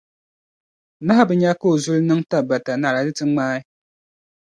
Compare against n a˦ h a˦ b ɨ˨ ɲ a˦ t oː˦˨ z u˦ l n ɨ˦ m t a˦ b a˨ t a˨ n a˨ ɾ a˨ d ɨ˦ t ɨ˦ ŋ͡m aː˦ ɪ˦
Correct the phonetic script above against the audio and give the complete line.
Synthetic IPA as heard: n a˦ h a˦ b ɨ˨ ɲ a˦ k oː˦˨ z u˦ l n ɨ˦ ŋ t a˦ b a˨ t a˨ n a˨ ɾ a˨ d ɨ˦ t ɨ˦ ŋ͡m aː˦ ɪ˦